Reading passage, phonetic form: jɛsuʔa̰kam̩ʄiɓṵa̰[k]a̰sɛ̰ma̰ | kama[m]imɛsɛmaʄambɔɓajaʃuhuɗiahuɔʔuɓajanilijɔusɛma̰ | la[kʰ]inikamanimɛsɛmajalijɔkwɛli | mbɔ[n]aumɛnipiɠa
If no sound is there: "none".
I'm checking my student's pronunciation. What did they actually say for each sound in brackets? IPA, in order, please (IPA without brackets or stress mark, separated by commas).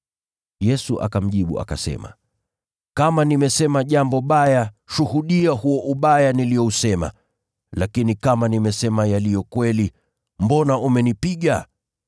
k, n, k, n